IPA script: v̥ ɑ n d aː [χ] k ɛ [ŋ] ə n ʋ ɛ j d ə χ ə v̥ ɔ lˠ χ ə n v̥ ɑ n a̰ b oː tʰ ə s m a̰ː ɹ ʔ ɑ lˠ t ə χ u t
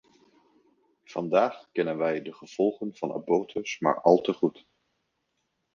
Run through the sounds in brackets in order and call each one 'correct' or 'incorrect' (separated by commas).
correct, incorrect